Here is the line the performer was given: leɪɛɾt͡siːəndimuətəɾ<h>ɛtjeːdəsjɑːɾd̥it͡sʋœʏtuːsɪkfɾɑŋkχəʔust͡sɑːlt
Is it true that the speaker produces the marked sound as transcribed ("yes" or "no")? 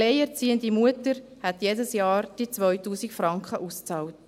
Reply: yes